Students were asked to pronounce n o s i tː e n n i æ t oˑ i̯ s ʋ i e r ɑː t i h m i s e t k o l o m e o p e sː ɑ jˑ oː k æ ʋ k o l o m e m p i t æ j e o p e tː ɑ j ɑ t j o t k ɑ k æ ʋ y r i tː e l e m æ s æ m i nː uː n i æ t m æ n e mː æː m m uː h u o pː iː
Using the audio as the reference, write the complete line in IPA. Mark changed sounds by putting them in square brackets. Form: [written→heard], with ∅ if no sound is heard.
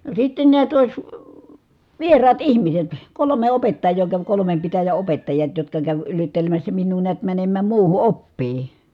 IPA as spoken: n o s i tː e n n i æ t oˑ i̯ s ʋ i e r ɑː t i h m i s e t k o l o m e o p e [sː→tː] ɑ jˑ oː k æ ʋ k o l o m e m p i t æ j [e→æ] o p e tː ɑ j ɑ t j o t k ɑ k æ ʋ y r i tː e l e m æ [s→sː] æ m i nː uː n i æ t m æ n e mː æː m m uː h u o pː iː